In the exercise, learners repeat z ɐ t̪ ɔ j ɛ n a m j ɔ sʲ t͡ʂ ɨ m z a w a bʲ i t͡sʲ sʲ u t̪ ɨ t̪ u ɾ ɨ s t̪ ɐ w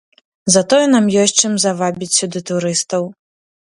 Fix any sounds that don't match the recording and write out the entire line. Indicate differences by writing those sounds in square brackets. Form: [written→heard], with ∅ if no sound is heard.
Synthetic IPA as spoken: z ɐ t̪ ɔ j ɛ n a m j ɔ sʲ t͡ʂ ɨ m z a [w→v] a bʲ i t͡sʲ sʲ u [t̪→d̪] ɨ t̪ u ɾ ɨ s t̪ ɐ w